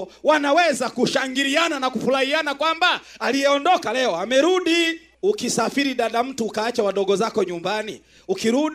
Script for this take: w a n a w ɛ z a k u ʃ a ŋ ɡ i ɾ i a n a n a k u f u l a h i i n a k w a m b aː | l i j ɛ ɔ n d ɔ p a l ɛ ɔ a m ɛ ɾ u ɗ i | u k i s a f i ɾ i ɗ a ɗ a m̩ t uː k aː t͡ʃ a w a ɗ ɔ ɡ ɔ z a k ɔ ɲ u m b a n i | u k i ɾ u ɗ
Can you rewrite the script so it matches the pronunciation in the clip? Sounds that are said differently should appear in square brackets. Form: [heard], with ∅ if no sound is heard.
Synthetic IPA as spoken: w a n a w ɛ z a k u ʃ a ŋ ɡ i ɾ i a n a n a k u f u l a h i [a] n a k w a m b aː | l i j ɛ ɔ n d ɔ [k] a l ɛ ɔ a m ɛ ɾ u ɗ i | u k i s a f i ɾ i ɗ a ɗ a m̩ t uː k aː t͡ʃ a w a ɗ ɔ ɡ ɔ z a k ɔ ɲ u m b a n i | u k i ɾ u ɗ